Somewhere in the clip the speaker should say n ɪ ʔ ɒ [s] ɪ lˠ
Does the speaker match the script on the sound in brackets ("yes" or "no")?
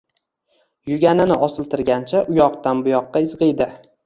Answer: yes